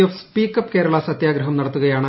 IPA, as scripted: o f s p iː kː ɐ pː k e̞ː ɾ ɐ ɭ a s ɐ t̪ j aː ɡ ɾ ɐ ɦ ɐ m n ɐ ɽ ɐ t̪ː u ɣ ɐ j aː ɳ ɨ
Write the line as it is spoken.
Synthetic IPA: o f s p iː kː ɐ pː k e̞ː ɾ ɐ ɭ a s ɐ t̪ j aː ɡ ɾ ɐ ɦ ɐ m n ɐ ɽ ɐ t̪ː u ɣ ɐ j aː ɳ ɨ